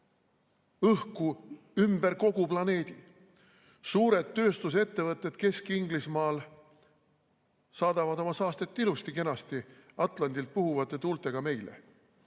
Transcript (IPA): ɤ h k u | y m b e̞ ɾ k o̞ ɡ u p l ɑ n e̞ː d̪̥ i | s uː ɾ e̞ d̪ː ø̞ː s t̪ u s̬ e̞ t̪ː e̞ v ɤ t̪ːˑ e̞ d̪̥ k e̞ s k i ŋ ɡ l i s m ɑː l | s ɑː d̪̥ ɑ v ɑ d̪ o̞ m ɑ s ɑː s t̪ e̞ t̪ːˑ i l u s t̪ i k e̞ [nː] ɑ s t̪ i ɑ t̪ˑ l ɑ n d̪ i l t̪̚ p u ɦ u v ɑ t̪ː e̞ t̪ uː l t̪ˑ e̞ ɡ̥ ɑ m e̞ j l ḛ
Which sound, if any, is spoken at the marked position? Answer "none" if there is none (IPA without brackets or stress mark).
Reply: n